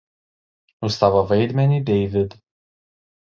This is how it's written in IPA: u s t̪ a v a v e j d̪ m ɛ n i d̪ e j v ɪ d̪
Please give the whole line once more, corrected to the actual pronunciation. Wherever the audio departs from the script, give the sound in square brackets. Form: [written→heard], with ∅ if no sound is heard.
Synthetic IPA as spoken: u s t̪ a v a v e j d̪ m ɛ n i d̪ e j v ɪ d̪